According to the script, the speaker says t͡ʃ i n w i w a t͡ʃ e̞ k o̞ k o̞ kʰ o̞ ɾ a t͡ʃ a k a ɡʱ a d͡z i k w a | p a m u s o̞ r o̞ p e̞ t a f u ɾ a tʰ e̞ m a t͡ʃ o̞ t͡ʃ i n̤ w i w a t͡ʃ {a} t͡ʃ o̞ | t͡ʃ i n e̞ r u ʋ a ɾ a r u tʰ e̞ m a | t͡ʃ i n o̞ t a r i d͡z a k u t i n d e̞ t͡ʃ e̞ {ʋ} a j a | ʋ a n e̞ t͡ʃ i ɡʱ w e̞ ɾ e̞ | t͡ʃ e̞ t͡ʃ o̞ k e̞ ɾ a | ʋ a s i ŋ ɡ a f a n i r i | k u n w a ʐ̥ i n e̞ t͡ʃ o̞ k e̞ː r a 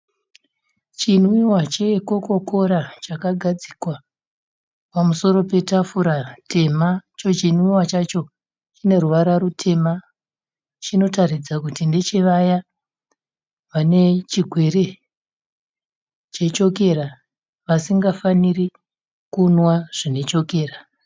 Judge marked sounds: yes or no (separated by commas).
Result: yes, yes